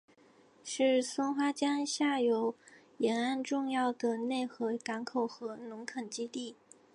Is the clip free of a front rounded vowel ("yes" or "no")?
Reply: yes